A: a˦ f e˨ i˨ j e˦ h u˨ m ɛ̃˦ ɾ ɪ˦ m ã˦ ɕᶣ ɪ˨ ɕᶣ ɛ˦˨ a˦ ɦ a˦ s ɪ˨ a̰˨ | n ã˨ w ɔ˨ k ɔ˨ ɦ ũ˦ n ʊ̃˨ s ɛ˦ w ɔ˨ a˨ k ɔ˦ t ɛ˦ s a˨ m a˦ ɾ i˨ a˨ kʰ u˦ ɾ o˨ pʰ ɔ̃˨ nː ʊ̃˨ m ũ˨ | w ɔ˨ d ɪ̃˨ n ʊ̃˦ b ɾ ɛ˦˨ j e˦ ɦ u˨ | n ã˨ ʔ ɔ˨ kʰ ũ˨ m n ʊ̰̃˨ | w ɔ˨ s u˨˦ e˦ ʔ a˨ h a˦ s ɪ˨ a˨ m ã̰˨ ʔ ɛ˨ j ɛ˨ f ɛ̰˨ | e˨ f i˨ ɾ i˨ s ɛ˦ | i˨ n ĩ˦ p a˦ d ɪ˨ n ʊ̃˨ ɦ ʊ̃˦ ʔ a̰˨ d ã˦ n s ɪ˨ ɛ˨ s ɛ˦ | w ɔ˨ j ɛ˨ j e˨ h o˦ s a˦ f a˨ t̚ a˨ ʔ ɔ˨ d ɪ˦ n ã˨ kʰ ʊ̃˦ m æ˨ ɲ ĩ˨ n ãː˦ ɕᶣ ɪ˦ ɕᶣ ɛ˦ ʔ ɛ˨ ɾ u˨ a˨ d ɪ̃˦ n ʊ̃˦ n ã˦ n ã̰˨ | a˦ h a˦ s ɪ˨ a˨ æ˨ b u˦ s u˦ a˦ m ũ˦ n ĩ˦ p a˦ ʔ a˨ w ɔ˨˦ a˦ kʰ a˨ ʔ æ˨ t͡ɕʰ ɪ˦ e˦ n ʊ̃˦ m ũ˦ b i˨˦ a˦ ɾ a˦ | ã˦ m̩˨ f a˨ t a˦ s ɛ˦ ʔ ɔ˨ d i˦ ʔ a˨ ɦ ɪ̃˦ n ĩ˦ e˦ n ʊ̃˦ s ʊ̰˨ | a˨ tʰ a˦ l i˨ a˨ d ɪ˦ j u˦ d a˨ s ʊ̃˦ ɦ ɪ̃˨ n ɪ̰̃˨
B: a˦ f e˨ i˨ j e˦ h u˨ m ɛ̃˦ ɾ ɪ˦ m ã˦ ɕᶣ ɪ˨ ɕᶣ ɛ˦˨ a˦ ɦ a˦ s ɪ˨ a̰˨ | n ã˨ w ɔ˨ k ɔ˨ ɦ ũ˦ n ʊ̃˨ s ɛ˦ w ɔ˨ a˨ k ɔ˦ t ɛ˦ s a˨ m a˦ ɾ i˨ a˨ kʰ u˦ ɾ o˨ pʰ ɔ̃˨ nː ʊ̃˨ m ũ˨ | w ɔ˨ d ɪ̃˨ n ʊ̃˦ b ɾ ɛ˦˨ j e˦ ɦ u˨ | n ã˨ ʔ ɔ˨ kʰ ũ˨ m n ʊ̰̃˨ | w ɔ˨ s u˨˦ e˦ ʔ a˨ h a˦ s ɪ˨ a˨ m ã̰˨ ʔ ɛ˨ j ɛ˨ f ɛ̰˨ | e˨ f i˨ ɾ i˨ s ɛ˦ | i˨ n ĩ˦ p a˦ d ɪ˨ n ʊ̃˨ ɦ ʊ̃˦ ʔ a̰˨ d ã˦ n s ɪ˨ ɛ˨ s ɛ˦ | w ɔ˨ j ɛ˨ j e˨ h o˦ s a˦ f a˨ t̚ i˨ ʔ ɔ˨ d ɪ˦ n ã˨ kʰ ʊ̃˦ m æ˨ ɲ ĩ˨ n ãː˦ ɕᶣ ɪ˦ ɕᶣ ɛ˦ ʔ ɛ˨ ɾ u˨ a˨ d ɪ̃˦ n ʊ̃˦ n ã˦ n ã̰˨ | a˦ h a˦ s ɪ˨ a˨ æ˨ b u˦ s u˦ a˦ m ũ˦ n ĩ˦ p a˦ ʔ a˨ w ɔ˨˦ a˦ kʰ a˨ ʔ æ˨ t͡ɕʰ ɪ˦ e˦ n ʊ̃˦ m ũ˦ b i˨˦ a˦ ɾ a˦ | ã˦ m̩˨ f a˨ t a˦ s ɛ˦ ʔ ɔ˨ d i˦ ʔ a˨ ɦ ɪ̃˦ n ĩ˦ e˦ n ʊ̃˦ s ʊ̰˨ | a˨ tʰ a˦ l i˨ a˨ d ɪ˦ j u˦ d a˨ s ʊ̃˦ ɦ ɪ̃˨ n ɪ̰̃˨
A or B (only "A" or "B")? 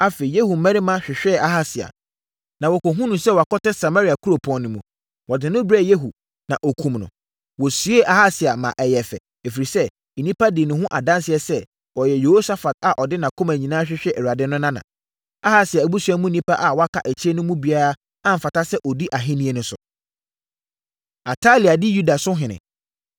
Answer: A